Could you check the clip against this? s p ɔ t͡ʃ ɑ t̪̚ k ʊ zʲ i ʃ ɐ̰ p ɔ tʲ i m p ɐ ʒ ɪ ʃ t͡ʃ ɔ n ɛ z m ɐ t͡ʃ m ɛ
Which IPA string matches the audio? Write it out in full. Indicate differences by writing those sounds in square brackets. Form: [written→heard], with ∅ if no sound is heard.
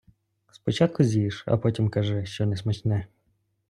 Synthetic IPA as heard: s p ɔ t͡ʃ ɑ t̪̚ k ʊ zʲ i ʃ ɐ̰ p ɔ tʲ i m [p→k] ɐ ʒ ɪ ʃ t͡ʃ ɔ n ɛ [z→s] m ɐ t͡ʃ [m→n] ɛ